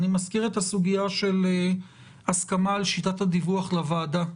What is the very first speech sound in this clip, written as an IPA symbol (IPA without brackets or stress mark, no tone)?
n